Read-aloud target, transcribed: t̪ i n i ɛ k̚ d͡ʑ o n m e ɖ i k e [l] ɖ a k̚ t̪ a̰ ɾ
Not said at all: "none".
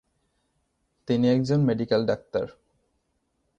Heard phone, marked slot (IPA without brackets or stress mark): l